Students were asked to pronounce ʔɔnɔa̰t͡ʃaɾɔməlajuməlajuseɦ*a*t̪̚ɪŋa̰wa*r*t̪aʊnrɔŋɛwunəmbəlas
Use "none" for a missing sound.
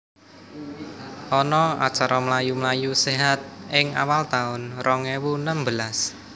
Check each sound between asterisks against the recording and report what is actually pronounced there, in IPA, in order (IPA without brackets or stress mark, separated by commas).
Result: a, l